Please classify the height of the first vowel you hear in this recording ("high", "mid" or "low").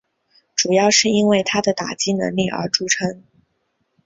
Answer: high